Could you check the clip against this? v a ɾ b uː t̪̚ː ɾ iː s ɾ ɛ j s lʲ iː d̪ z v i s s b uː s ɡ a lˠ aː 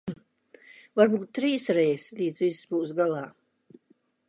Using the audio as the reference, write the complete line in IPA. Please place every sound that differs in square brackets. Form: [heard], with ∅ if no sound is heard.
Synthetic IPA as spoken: v a ɾ b uː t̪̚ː ɾ iː s ɾ ɛ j s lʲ iː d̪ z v i s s b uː s ɡ a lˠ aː